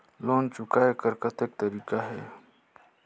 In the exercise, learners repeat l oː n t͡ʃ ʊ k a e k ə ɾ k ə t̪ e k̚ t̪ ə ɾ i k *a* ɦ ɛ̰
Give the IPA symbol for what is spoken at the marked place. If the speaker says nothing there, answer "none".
a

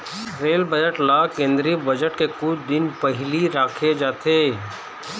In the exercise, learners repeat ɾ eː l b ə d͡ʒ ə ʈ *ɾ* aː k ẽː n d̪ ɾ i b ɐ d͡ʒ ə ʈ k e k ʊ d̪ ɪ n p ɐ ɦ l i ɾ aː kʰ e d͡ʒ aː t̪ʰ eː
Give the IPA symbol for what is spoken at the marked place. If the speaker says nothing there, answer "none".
l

